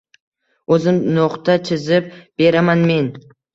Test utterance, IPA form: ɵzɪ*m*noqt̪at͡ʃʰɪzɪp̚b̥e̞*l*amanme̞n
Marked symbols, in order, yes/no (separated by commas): yes, no